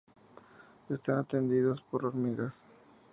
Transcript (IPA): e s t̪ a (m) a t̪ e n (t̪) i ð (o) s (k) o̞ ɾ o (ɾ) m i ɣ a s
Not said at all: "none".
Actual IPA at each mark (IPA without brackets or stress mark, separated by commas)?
n, d̪, o, p, ɾ